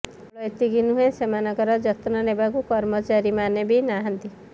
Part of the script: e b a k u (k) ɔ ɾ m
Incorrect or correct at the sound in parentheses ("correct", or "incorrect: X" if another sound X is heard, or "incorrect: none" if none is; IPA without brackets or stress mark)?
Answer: correct